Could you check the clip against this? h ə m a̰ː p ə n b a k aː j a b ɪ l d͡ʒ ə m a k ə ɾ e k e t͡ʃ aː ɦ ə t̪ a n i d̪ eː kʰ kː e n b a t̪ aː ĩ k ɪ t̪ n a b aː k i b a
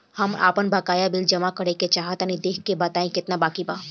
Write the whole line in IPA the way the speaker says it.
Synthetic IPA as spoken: h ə m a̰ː p ə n b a k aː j a b ɪ l d͡ʒ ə m a k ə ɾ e k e t͡ʃ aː ɦ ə t̪ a n i d̪ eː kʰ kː e b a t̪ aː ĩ k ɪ t̪ n a b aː k i b a